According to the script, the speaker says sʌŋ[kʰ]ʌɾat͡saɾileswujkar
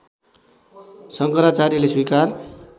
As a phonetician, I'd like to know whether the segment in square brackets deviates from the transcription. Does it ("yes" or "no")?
yes